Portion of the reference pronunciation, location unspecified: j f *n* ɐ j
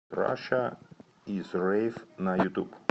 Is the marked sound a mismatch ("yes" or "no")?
no